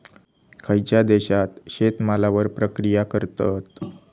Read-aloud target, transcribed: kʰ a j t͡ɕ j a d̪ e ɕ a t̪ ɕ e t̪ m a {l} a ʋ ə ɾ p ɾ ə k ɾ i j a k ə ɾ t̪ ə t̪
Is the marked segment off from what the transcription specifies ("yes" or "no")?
no